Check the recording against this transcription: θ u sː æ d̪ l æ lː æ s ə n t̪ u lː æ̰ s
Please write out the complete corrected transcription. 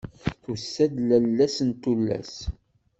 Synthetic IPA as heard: θ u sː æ d̪ l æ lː æ s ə n t̪ u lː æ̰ s